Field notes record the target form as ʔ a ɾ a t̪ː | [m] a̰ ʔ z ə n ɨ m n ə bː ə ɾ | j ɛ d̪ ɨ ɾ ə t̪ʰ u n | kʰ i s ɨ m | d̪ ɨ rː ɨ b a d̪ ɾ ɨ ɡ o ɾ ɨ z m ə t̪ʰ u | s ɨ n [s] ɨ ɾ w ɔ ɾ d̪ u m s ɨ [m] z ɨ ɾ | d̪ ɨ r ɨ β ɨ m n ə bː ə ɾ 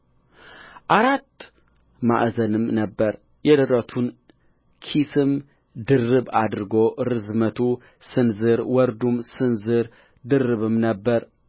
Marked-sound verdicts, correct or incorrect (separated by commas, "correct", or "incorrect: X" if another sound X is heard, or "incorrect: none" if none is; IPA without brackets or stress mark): correct, incorrect: z, incorrect: n